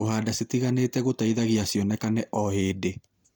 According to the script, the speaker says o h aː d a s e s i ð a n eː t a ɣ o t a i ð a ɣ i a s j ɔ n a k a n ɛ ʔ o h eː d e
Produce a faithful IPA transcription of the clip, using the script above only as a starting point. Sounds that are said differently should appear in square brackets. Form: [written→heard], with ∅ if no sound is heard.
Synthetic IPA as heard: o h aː d a s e [s→t] i [ð→ɣ] a n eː t [a→ɛ] ɣ o t a i ð a ɣ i a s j ɔ n [a→ɛ] k a n ɛ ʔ [o→ɔ] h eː d e

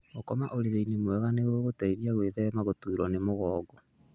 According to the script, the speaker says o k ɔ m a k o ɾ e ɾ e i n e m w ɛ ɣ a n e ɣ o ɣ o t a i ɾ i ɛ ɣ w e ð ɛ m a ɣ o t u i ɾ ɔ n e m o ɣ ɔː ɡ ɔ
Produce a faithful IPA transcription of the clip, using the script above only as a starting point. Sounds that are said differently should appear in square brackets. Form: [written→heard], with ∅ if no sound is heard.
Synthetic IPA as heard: o k ɔ m a [k→ʔ] o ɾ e ɾ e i n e m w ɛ ɣ a n e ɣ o ɣ o t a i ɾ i [ɛ→a] ɣ w e ð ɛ m a ɣ o t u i ɾ ɔ n e m o ɣ ɔː ɡ ɔ

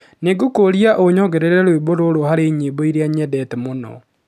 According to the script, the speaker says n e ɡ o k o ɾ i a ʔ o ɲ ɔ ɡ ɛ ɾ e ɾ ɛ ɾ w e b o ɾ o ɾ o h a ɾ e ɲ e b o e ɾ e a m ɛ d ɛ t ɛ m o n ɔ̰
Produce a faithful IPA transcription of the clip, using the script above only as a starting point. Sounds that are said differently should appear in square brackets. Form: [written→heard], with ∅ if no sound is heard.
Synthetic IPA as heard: n e ɡ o k o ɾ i a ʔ o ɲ ɔ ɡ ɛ ɾ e ɾ ɛ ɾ w e b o ɾ o ɾ o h a ɾ e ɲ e b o [e→i] ɾ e a [m→ɲ] ɛ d ɛ t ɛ m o n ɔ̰

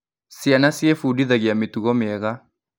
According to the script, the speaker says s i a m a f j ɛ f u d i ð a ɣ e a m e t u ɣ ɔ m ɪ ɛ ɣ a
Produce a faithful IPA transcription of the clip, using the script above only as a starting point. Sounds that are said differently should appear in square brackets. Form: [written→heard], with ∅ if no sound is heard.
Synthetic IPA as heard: s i a [m→n] a [f→s] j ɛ f u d i ð a ɣ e a m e t u ɣ ɔ m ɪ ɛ ɣ a

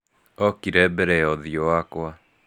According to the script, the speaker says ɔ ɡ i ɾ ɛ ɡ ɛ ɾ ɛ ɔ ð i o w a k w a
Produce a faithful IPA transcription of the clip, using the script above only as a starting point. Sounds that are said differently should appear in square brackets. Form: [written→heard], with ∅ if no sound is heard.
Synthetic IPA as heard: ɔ [ɡ→k] i ɾ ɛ [ɡ→b] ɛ ɾ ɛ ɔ ð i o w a k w a

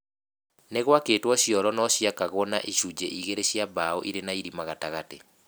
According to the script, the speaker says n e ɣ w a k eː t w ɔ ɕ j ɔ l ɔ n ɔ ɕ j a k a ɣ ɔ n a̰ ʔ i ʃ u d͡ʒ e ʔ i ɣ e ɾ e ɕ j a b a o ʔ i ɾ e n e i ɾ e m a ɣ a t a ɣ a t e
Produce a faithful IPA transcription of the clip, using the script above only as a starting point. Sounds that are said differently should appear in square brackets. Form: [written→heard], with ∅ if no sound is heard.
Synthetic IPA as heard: n e ɣ w a k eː t w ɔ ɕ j ɔ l ɔ n ɔ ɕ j a k a ɣ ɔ n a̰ ʔ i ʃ u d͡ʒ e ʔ i ɣ e ɾ e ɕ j a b a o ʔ i ɾ e n [e→a] i ɾ [e→i] m a ɣ a t a ɣ a t e

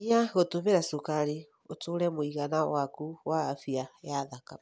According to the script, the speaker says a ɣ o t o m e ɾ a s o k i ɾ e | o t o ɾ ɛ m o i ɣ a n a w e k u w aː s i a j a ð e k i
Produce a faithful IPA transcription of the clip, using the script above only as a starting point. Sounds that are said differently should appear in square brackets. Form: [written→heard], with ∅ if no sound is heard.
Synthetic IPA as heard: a ɣ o t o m e ɾ a s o k [i→a] ɾ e | o t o ɾ ɛ m o i ɣ a n a w [e→a] k u w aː [s→f] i a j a ð [e→a] k [i→a]

